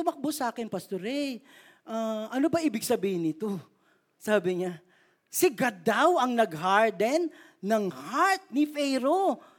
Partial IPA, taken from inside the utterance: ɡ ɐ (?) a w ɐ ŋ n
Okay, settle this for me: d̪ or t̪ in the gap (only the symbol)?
d̪